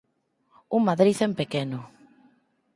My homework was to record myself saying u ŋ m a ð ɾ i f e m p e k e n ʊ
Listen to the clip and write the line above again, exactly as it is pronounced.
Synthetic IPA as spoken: u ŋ m a ð ɾ i θ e m p e k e n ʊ